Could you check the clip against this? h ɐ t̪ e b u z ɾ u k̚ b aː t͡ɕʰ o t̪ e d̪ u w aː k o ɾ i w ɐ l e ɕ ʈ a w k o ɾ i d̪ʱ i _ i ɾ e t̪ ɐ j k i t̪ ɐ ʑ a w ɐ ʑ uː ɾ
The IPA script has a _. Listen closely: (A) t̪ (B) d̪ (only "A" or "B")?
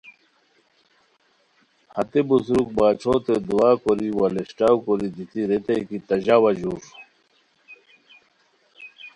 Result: A